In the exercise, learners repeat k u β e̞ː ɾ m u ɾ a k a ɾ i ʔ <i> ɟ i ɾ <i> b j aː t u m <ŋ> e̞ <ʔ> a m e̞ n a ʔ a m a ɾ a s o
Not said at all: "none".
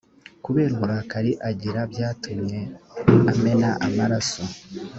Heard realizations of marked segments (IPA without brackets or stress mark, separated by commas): a, a, ɲ, none